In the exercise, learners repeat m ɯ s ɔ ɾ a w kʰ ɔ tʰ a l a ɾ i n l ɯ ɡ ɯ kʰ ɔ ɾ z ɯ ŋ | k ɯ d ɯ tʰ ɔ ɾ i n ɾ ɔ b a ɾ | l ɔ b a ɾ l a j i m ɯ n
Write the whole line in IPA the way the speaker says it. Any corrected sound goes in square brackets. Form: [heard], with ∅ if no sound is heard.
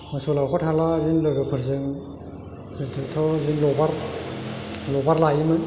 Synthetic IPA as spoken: m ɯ s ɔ [l] a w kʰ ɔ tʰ a l a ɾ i n l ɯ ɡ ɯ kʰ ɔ ɾ z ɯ ŋ | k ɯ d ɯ tʰ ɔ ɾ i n [l] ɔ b a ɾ | l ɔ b a ɾ l a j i m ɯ n